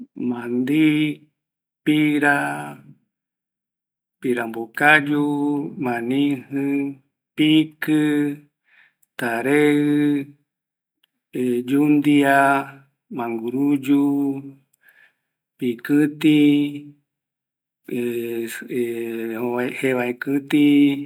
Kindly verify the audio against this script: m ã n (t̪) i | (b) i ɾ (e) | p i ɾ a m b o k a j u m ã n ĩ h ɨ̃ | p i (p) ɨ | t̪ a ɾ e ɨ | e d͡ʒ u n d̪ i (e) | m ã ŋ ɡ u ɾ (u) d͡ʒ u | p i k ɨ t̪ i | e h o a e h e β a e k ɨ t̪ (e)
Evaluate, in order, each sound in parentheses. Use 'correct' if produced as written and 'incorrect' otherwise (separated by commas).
incorrect, incorrect, incorrect, incorrect, incorrect, correct, incorrect